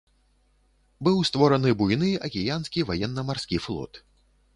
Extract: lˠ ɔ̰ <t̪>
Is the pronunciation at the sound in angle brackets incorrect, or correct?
correct